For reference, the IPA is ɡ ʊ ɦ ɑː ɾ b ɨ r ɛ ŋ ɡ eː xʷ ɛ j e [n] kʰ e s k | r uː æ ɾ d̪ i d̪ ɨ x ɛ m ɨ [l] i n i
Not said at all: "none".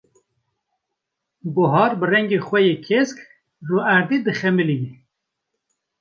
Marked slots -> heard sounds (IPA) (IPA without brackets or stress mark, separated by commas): none, l